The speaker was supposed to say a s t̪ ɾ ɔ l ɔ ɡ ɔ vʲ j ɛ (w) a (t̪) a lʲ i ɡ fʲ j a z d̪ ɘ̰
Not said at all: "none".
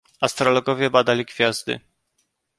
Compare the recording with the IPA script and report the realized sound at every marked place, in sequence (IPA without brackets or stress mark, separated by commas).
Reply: b, d̪